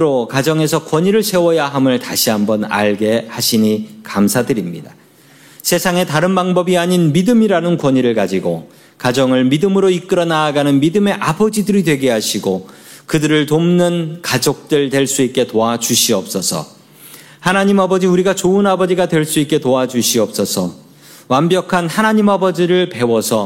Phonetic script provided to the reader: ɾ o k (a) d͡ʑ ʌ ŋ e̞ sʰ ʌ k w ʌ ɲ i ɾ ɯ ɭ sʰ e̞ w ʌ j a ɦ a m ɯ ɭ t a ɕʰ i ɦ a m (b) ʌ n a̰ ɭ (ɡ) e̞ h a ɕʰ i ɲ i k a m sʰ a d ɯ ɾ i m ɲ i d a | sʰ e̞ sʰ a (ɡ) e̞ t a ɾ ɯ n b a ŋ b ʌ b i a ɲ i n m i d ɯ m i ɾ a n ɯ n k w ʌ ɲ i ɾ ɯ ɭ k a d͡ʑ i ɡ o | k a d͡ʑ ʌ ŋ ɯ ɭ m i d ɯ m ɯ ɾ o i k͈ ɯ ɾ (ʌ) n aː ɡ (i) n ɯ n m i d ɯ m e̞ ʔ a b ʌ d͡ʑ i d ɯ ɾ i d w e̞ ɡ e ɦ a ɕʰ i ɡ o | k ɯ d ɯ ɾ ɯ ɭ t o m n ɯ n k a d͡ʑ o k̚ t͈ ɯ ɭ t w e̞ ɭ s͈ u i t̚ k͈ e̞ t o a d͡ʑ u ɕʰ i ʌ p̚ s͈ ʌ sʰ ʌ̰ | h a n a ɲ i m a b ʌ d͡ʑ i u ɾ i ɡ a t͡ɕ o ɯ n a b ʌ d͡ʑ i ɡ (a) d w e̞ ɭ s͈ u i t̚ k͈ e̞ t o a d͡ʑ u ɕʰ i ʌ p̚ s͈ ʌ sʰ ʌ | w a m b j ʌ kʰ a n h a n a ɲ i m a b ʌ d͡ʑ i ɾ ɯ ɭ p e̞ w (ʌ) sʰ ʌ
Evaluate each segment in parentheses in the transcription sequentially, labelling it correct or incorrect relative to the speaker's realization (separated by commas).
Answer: correct, correct, correct, incorrect, correct, incorrect, correct, correct